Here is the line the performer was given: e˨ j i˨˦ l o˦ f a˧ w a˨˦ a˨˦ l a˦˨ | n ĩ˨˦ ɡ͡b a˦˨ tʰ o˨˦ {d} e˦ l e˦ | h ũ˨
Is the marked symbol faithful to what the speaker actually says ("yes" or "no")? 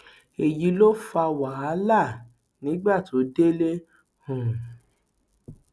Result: yes